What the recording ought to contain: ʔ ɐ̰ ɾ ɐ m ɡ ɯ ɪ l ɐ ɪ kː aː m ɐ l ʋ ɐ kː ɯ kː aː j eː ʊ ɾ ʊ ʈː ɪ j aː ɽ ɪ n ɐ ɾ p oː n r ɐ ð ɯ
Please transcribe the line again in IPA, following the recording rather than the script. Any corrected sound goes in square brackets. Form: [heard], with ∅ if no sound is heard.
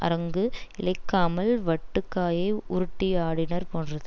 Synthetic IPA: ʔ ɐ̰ ɾ ɐ [ŋ] ɡ ɯ ɪ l ɐ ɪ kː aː m ɐ l ʋ ɐ [ʈː] ɯ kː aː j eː ʊ ɾ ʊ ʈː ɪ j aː ɽ ɪ n ɐ ɾ p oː n r ɐ ð ɯ

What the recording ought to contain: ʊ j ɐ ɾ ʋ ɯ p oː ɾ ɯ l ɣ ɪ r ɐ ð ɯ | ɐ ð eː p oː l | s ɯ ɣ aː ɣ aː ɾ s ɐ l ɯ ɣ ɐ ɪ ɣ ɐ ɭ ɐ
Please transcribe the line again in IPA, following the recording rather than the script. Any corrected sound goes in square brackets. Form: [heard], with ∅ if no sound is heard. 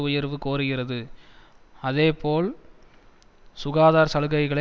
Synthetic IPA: ʊ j ɐ ɾ ʋ ɯ [k] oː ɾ ɯ [∅] ɣ ɪ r ɐ ð ɯ | ɐ ð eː p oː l | s [ʊ] ɣ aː [ð] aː ɾ s ɐ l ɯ ɣ ɐ ɪ ɣ ɐ ɭ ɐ

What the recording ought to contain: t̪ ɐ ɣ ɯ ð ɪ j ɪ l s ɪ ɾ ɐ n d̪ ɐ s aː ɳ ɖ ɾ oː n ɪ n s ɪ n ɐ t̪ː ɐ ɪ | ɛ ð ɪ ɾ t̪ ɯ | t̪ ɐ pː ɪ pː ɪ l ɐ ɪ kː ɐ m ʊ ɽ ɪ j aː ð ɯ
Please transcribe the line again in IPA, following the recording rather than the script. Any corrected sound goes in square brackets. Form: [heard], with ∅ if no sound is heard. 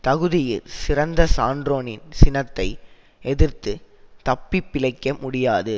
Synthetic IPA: t̪ ɐ ɣ ɯ ð ɪ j ɪ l s ɪ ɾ ɐ n d̪ ɐ s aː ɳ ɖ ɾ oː n ɪ n s ɪ n ɐ t̪ː ɐ ɪ | ɛ ð ɪ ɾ t̪ ɯ | t̪ ɐ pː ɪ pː ɪ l ɐ ɪ kː ɐ m ʊ ɽ ɪ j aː ð ɯ

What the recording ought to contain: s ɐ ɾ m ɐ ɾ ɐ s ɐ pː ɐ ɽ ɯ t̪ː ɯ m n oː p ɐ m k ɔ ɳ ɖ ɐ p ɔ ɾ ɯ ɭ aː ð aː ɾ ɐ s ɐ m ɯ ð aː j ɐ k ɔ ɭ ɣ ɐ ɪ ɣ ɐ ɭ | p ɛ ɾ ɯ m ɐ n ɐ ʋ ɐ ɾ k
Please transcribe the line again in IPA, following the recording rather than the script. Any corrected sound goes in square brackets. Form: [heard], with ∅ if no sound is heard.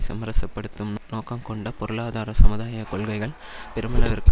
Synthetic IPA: s ɐ [∅] m ɐ ɾ ɐ s ɐ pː ɐ ɽ ɯ t̪ː ɯ m n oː [k] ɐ m k ɔ ɳ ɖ ɐ p ɔ ɾ ɯ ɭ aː ð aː ɾ ɐ s ɐ m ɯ ð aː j ɐ k ɔ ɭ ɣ ɐ ɪ ɣ ɐ ɭ | p ɛ ɾ ɯ m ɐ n ɐ ʋ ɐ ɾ k

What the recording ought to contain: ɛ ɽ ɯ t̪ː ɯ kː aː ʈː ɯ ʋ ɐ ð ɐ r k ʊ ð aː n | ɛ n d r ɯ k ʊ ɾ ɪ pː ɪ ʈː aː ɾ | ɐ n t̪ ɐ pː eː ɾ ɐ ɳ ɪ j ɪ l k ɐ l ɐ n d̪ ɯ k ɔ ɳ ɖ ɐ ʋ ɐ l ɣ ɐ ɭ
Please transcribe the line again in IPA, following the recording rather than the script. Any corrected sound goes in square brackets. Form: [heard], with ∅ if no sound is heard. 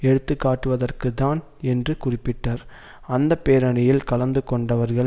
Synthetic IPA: ɛ ɽ ɯ t̪ː ɯ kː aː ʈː ɯ ʋ ɐ ð ɐ r k [ɯ] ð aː n | ɛ n d r ɯ k ʊ [r] ɪ pː ɪ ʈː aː ɾ | ɐ n [d̪] ɐ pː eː ɾ ɐ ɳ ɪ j ɪ l k ɐ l ɐ n d̪ ɯ k ɔ ɳ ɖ ɐ ʋ ɐ [ɾ] ɣ ɐ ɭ

